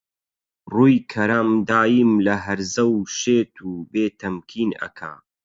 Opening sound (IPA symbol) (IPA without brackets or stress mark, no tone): r